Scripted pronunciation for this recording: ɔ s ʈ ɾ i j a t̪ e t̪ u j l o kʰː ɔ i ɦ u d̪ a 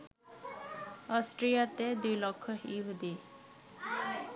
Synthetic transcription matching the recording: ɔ s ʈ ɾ i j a t̪ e d̪ u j l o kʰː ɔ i ɦ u d̪ i